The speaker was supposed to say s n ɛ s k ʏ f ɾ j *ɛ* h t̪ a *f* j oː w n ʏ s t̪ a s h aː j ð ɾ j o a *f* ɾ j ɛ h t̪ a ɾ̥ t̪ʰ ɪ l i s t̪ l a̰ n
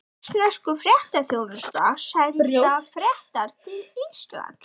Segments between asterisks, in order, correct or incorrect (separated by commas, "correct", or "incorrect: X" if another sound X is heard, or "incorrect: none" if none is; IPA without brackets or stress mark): correct, incorrect: θ, correct